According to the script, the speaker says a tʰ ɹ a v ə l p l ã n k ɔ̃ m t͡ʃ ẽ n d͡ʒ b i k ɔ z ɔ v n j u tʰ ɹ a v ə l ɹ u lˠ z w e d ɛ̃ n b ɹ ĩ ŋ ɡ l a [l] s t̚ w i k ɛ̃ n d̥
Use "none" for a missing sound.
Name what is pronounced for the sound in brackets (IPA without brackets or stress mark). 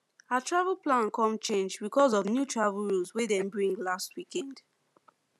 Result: none